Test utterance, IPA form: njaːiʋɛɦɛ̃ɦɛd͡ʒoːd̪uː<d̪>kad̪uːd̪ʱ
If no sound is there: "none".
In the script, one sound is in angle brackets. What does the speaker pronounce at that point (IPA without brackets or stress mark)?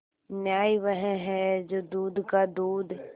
d̪